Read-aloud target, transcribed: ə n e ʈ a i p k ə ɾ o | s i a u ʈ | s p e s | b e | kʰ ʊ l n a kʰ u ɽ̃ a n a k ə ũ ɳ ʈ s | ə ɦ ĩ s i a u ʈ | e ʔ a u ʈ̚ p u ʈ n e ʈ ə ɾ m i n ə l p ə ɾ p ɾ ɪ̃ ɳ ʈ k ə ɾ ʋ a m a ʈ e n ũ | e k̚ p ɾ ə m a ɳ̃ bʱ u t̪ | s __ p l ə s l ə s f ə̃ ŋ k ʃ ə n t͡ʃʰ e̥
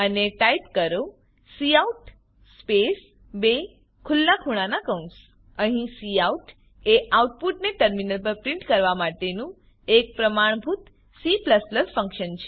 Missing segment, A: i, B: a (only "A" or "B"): A